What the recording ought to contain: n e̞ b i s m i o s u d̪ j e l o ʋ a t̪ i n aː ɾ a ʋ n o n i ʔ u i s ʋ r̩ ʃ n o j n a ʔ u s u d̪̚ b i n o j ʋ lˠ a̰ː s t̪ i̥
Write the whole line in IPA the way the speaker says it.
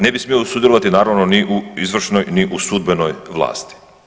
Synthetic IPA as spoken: n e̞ b i s m i o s u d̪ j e l o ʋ a t̪ i n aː ɾ a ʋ n o n i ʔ u i z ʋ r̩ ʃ n o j n i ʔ u s u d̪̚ b e n o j ʋ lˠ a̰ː s t̪ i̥